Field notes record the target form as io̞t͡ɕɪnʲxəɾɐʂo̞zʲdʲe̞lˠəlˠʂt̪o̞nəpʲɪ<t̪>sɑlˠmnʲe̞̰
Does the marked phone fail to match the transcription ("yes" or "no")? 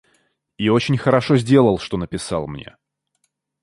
yes